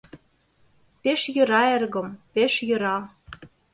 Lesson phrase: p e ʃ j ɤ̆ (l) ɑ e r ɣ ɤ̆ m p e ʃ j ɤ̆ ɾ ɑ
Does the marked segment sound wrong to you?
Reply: yes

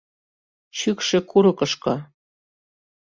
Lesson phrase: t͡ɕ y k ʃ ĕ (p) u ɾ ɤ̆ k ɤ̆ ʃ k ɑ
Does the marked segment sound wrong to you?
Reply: yes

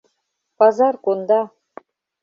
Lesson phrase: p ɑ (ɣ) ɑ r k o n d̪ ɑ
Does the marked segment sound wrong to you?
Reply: yes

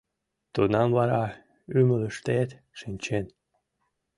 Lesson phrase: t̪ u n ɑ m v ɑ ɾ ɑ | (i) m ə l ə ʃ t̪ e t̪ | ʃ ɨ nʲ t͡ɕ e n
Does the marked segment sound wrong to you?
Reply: yes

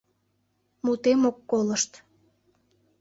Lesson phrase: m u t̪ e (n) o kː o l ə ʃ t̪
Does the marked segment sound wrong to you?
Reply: yes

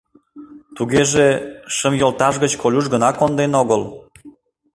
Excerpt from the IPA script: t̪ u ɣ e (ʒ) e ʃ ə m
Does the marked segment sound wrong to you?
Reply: no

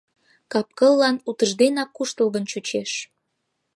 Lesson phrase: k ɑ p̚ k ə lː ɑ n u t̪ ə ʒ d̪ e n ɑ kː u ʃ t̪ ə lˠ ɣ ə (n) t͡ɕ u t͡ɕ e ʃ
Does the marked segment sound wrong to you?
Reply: no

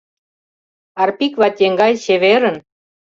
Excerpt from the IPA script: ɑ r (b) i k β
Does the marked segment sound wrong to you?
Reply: yes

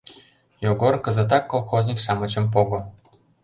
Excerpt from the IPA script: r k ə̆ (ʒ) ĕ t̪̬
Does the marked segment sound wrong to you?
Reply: yes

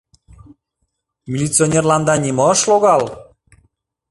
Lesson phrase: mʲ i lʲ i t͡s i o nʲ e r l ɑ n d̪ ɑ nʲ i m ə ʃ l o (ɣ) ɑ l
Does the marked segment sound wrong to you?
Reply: no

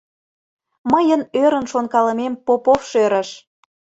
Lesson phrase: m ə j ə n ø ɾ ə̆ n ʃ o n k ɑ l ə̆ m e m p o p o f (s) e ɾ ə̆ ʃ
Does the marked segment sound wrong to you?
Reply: yes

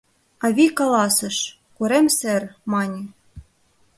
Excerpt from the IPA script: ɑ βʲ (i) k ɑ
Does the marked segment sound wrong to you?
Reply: no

